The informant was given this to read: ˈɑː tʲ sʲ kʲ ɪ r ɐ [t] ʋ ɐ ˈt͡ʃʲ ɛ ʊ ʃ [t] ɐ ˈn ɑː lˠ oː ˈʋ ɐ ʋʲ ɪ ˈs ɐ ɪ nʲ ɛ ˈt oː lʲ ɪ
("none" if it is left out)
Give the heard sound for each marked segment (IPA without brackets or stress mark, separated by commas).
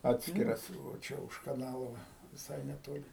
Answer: s, k